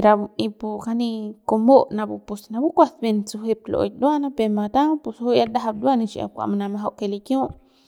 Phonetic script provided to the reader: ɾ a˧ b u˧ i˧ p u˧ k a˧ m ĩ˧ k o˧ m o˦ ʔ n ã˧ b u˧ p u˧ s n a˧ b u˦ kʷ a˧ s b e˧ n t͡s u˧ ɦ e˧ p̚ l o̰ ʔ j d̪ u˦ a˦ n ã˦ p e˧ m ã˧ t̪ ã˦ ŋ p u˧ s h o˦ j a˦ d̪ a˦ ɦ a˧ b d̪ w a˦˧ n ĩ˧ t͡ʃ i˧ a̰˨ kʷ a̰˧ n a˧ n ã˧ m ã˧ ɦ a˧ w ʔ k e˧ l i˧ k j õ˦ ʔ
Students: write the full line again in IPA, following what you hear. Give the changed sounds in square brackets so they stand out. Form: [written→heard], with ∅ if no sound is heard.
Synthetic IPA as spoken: ɾ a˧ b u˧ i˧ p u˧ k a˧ [m→n] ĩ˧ k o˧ m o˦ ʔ n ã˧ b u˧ p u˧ s n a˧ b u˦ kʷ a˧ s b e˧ n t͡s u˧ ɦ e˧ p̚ l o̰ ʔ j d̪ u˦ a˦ n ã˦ p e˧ m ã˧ t̪ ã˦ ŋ p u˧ s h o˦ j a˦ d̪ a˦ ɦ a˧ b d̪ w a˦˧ n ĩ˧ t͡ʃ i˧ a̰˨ kʷ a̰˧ [n→m] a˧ n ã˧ m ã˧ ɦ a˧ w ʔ k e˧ l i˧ k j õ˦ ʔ